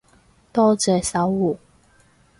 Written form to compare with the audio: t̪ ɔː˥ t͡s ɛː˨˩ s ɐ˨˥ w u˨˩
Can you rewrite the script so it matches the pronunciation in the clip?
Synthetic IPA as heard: t̪ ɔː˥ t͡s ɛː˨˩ s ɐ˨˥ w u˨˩